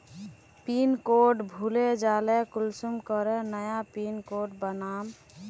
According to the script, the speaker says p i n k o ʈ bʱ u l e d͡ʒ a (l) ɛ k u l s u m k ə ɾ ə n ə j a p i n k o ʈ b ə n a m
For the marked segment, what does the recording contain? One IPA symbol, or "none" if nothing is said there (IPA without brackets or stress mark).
l